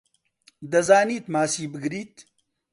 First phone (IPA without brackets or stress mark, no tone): d̪